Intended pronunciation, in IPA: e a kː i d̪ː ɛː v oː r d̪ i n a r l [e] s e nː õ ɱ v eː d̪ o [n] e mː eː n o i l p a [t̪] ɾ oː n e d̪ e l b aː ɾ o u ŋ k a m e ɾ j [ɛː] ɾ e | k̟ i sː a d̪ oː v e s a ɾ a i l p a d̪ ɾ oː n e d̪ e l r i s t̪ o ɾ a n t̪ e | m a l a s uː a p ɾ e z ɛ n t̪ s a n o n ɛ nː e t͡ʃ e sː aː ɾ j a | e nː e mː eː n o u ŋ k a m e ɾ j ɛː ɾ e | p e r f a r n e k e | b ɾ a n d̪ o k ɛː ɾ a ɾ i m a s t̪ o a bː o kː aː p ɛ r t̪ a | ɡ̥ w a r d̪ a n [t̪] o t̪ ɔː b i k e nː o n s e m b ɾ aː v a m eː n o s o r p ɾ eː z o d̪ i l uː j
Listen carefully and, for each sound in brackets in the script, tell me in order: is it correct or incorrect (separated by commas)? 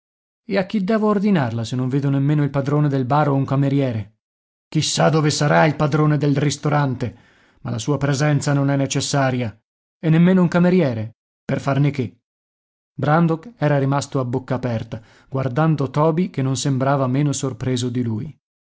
incorrect, correct, incorrect, correct, incorrect